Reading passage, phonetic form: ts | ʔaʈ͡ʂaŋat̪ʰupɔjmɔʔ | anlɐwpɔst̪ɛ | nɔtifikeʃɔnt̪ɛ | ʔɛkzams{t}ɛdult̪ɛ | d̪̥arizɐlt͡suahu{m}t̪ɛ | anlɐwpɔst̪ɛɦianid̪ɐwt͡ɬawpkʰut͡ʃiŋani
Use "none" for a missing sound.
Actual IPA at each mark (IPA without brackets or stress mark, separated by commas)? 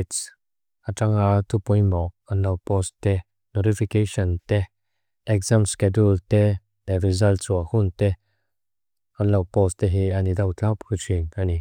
k, n